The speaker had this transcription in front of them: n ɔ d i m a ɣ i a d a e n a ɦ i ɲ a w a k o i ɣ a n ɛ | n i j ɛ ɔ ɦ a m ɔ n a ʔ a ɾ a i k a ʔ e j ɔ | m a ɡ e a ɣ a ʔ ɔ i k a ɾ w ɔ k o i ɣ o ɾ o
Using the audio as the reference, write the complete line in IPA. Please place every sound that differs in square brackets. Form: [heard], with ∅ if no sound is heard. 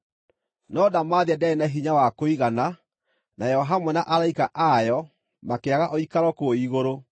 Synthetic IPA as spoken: n ɔ d [a] m a [ð] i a d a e n a ɦ i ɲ a w a k o i ɣ a n [a] | n [a] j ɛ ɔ ɦ a m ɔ n a ʔ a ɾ a i k a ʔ [a] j ɔ | m a [k] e a ɣ a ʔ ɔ i k a ɾ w ɔ k o i ɣ o ɾ o